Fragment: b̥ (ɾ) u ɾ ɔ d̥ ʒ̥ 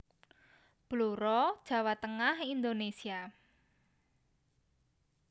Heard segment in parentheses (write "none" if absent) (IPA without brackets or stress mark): l